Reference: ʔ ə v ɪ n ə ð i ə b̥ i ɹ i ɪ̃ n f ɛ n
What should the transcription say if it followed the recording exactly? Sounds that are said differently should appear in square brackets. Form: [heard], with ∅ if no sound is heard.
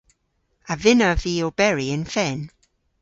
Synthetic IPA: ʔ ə v ɪ n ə [v] i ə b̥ [ɛ] ɹ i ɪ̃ n f ɛ n